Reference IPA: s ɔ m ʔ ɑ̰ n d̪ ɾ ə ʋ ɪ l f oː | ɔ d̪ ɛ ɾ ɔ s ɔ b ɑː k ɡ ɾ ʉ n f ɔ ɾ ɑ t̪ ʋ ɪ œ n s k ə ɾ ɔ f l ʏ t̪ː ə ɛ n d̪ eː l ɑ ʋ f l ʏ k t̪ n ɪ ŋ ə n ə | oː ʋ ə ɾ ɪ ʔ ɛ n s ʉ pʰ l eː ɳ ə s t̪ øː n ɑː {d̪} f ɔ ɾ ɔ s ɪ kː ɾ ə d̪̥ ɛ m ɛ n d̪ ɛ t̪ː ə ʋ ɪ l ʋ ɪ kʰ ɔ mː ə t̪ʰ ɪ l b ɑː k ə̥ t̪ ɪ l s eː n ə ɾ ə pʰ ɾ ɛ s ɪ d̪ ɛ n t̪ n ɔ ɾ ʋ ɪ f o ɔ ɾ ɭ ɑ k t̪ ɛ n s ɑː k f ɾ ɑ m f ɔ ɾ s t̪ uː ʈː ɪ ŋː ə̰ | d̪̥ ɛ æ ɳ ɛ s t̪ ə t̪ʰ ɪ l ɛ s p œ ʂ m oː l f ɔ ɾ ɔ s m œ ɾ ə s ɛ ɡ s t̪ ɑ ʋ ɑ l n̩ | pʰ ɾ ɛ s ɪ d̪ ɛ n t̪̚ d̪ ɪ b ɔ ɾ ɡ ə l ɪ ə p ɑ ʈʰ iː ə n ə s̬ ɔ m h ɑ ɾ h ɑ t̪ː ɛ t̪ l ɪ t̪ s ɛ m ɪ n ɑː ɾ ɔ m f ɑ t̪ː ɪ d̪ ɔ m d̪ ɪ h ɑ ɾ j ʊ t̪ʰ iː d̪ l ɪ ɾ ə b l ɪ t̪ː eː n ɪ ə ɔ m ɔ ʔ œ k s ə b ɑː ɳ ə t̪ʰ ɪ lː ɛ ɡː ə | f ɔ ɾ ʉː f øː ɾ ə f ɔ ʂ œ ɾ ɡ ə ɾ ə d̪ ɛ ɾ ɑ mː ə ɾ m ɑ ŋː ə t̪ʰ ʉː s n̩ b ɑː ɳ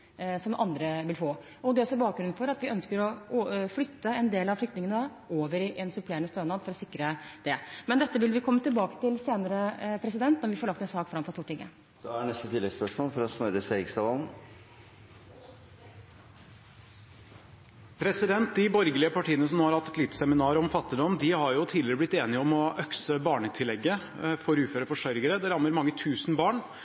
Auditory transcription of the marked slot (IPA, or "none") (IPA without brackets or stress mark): d̪